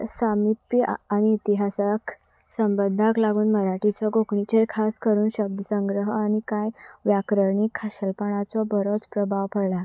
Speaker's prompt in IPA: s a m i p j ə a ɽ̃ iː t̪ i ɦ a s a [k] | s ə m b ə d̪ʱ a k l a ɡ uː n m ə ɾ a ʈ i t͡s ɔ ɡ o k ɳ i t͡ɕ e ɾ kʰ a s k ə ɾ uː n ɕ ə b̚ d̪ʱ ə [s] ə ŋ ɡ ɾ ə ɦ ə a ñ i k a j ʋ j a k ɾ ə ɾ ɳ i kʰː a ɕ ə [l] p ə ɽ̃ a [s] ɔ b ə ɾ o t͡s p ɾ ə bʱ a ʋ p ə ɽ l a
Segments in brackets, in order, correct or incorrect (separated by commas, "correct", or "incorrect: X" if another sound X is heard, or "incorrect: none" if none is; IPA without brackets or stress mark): correct, correct, correct, incorrect: t͡s